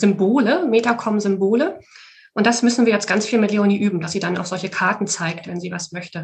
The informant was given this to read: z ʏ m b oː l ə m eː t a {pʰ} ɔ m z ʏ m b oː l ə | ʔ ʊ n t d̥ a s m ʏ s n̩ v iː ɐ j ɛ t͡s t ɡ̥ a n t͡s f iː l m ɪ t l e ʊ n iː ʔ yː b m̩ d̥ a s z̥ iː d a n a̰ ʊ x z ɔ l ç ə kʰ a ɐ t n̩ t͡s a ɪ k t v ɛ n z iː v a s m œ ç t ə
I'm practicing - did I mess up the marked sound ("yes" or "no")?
yes